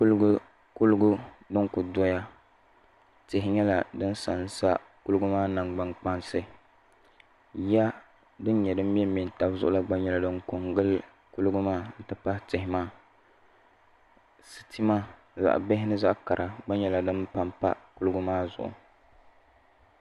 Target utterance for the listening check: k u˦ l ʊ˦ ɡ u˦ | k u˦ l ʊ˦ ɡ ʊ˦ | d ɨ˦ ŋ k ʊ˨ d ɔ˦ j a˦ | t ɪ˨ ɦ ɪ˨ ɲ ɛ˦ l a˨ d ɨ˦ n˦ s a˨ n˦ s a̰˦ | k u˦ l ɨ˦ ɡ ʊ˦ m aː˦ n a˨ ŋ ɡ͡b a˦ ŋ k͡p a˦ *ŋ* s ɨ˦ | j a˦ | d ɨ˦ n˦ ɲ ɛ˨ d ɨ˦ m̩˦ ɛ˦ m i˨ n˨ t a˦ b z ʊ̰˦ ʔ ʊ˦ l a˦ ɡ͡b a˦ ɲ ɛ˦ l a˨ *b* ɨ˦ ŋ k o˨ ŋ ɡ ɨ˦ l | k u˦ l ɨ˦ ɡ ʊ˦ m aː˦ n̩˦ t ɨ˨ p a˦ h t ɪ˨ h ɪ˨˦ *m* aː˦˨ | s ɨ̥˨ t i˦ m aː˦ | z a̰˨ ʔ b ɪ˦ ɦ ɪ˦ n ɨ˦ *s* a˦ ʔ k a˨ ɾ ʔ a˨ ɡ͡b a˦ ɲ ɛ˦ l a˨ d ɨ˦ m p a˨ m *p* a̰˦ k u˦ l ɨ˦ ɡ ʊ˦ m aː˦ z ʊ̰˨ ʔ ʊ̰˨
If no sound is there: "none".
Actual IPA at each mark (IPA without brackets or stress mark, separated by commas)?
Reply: n, d, m, z, p